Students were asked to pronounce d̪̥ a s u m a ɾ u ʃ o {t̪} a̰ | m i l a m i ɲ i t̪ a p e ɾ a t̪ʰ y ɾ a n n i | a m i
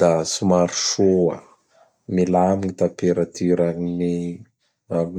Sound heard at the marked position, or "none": none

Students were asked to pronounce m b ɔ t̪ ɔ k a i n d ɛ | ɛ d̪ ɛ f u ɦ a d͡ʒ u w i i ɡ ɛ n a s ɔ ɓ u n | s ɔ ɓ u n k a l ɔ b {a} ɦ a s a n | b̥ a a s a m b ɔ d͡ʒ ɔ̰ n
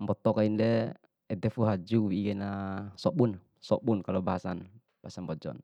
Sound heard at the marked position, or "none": a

